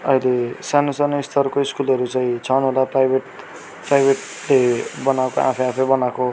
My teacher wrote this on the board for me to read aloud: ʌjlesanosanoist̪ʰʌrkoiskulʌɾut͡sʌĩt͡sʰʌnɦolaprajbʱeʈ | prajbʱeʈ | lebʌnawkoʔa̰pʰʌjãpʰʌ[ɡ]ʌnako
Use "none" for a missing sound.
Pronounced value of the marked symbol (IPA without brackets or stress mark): b